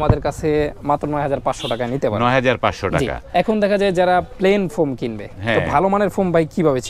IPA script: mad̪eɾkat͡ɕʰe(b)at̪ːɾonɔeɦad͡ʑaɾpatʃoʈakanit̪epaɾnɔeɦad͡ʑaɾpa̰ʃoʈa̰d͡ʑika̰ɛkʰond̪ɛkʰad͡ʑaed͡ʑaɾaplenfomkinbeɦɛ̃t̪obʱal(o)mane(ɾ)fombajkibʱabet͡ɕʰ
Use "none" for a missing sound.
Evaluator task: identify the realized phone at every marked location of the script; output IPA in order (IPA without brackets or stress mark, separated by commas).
m, o, ɾ